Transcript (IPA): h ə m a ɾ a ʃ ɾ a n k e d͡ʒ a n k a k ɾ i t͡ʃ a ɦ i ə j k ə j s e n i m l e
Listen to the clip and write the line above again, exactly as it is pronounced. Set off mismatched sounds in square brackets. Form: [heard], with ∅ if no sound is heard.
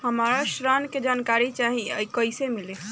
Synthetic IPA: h ə m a ɾ a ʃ ɾ a n k e d͡ʒ a n k a [∅] ɾ i t͡ʃ a ɦ i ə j k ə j s e [m] i [∅] l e